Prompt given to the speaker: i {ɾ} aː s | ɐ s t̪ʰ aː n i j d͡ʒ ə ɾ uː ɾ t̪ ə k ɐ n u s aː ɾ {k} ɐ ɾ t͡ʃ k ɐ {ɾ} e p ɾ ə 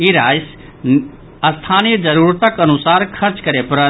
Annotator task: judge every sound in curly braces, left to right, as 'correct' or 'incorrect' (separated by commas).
correct, incorrect, correct